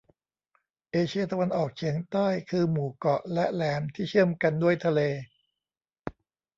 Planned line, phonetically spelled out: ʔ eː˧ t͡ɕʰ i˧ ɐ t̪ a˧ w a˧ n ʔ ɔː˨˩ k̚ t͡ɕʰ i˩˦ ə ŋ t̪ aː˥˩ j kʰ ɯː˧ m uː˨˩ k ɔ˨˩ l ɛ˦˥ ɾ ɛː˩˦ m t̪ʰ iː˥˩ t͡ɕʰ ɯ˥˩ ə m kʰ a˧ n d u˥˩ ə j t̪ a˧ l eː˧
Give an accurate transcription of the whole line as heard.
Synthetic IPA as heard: ʔ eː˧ t͡ɕʰ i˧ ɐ t̪ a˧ w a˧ n ʔ ɔː˨˩ k̚ t͡ɕʰ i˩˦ ə ŋ t̪ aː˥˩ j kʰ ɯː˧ m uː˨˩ k ɔ˨˩ l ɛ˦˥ l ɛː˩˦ m t̪ʰ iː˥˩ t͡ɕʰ ɯ˥˩ ə m k a˧ n d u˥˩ ə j t̪ʰ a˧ l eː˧

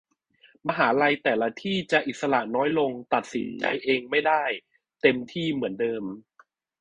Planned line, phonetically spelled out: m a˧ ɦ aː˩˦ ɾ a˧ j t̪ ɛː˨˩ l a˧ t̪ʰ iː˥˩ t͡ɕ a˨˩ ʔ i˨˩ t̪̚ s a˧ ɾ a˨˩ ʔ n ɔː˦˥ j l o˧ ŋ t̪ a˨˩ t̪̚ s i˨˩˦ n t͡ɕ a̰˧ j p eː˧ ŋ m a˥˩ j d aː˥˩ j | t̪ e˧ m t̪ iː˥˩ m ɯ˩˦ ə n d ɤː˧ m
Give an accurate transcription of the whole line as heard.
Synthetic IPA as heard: m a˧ ɦ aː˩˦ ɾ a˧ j t̪ ɛː˨˩ l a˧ t̪ʰ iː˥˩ t͡ɕ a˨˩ ʔ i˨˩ t̪̚ s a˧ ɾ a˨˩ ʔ n ɔː˦˥ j l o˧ ŋ t̪ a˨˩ t̪̚ s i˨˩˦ n t͡ɕ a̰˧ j ʔ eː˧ ŋ m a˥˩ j d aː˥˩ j | t̪ e˧ m t̪ʰ iː˥˩ m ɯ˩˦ ə n d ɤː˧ m

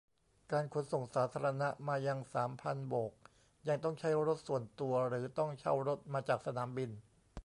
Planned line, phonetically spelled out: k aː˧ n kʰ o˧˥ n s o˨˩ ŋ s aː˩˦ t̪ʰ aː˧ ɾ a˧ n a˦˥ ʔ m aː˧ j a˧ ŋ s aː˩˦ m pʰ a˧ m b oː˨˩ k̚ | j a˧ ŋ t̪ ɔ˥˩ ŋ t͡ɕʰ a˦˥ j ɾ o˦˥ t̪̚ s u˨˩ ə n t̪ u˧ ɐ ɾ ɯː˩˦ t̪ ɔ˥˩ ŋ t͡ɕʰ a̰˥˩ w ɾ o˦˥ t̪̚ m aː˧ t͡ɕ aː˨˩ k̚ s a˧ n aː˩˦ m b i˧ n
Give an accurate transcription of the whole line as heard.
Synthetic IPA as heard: k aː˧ n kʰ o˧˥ n s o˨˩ ŋ s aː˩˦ t̪ʰ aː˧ ɾ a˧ n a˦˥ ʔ m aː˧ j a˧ ŋ s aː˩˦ m pʰ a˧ n b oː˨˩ k̚ | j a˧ ŋ t̪ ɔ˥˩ ŋ t͡ɕʰ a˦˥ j ɾ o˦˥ t̪̚ s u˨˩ ə n t̪ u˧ ɐ ɾ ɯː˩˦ t̪ ɔ˥˩ ŋ t͡ɕʰ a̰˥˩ w ɾ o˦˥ t̪̚ m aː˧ t͡ɕ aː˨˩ k̚ s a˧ n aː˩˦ m b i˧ n

